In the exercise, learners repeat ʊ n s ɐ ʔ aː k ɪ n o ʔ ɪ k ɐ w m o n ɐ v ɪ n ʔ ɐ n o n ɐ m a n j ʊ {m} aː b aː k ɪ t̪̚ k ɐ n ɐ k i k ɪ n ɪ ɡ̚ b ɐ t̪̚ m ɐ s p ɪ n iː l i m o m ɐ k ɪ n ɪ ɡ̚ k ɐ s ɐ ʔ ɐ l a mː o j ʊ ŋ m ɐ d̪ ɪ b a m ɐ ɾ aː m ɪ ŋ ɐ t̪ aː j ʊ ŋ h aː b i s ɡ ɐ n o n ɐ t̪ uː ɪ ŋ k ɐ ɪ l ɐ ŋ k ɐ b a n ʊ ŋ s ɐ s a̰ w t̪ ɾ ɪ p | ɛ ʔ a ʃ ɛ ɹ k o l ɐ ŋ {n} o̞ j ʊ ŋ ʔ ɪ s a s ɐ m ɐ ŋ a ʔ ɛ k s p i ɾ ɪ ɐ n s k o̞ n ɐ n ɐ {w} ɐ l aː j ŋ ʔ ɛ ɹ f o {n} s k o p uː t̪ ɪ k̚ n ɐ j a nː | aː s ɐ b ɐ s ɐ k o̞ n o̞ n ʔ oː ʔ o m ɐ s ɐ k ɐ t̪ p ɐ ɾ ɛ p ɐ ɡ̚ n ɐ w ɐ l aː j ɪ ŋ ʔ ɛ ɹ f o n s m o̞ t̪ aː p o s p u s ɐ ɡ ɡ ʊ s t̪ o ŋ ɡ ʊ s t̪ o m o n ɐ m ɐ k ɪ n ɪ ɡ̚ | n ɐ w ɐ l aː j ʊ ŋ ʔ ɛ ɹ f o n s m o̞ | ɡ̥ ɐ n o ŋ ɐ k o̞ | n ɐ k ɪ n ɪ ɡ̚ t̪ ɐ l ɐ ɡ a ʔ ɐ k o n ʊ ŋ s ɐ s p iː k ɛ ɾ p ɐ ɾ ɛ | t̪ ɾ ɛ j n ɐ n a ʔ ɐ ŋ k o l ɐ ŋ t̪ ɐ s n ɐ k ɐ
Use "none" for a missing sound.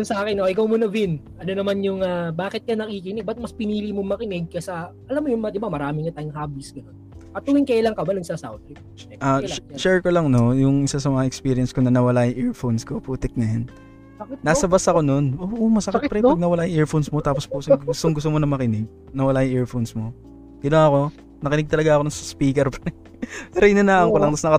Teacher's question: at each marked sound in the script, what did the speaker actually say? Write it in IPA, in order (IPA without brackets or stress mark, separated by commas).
ŋ, n, w, n